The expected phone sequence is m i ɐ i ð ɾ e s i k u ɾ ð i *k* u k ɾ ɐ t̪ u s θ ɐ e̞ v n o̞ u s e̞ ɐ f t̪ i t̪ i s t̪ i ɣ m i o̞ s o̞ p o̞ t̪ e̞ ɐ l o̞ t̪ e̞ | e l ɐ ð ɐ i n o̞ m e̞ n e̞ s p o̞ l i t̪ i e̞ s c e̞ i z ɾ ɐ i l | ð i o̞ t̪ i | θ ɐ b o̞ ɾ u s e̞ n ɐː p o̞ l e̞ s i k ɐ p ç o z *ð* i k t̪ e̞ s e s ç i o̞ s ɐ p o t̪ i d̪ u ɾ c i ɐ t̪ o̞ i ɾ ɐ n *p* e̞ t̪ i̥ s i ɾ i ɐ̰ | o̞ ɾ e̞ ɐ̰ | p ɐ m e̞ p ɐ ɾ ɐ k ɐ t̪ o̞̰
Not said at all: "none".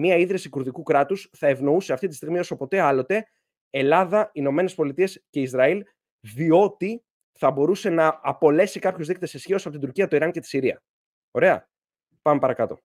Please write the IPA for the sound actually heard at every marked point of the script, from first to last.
k, ð, c

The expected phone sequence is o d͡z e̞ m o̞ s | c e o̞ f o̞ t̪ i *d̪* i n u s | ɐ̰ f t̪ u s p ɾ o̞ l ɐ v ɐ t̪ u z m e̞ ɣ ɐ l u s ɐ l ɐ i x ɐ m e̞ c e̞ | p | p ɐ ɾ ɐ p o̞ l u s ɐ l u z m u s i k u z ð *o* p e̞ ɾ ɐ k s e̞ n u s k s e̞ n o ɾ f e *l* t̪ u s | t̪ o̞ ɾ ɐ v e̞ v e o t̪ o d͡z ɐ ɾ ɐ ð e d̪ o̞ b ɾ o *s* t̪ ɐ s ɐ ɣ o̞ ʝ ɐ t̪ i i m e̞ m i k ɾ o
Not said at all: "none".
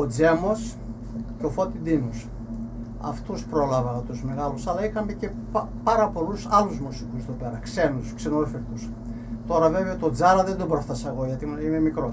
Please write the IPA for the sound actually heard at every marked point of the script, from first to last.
d̪, o, ɾ, f

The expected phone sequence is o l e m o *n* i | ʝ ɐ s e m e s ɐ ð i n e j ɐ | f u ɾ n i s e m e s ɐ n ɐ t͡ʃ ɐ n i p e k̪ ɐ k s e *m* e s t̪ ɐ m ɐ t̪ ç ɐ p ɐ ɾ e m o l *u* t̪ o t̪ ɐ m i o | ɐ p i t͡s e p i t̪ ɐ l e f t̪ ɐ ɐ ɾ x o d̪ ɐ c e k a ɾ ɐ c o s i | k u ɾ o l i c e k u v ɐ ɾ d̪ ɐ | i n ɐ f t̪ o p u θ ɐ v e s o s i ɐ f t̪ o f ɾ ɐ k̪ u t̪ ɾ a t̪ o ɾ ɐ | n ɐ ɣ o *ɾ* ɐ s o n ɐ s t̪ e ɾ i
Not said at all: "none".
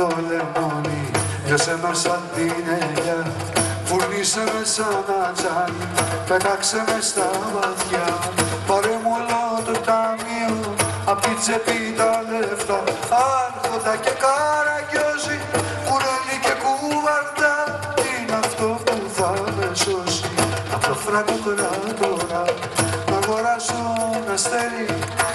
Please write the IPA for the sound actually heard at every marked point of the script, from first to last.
n, m, o, ɾ

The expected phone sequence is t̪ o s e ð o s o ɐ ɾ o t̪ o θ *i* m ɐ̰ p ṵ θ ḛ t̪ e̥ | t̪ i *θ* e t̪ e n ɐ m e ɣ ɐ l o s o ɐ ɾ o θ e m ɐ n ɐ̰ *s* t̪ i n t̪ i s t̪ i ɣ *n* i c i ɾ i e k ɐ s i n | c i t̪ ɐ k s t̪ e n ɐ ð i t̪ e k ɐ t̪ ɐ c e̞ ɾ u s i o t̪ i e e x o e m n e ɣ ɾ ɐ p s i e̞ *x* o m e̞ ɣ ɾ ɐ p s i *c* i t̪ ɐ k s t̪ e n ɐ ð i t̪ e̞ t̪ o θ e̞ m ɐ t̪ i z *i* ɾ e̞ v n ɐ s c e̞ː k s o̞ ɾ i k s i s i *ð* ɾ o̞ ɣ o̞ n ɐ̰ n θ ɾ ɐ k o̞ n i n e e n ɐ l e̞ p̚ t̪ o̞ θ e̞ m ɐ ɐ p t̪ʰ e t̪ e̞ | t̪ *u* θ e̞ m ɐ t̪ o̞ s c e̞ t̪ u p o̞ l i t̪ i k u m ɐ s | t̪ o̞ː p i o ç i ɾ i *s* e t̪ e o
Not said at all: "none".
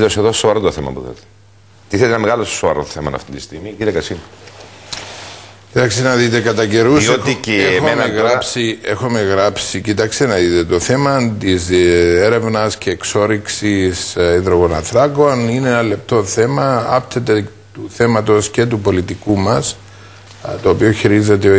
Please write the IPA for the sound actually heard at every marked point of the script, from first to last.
e, θ, f, m, x, c, e, ð, u, z

